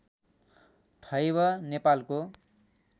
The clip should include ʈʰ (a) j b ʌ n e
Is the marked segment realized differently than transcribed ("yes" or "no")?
yes